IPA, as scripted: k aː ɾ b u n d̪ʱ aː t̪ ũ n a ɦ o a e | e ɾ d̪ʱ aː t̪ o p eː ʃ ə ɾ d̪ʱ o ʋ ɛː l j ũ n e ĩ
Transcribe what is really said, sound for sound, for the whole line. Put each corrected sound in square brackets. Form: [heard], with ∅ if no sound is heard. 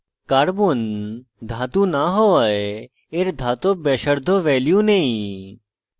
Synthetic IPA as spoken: k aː ɾ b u n d̪ʱ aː t̪ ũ n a ɦ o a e | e ɾ d̪ʱ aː t̪ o [b] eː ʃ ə ɾ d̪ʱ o ʋ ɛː l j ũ n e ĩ